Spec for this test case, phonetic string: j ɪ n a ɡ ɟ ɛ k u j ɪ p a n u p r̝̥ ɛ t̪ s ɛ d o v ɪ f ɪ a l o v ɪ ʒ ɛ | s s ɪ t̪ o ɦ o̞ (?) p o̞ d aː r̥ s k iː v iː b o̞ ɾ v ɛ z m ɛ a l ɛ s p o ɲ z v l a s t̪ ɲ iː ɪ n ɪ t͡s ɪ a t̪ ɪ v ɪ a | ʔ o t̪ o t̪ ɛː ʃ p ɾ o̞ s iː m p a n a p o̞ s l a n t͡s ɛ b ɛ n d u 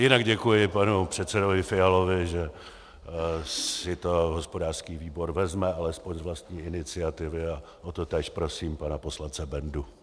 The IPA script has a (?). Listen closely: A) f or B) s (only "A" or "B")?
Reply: B